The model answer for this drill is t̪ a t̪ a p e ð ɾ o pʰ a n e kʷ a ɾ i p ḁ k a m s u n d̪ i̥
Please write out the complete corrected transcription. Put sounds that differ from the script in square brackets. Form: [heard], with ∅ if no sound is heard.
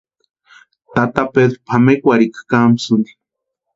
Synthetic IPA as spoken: t̪ a t̪ a p e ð ɾ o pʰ a [m] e kʷ a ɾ i [k] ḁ k a m s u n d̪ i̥